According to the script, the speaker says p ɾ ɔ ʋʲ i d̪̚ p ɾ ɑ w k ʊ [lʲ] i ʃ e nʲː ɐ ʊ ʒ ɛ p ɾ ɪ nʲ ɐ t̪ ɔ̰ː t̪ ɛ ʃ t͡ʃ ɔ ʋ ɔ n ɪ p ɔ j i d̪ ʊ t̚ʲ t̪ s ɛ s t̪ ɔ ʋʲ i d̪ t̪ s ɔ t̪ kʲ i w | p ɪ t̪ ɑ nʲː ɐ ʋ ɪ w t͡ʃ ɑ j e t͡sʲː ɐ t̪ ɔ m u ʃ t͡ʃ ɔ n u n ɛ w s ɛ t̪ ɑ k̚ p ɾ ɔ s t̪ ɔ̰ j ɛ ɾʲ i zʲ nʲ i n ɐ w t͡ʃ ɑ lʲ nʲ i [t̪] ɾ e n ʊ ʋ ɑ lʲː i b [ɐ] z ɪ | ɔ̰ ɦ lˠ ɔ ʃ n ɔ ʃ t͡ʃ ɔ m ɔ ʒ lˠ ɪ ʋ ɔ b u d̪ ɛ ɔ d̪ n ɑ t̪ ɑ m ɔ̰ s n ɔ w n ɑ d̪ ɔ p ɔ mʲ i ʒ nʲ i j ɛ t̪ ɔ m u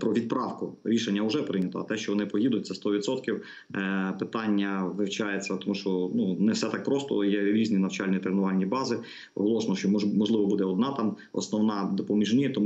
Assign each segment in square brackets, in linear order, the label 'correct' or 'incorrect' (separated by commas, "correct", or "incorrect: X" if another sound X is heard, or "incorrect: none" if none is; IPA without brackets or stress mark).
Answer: incorrect: ɾʲ, correct, incorrect: ɑ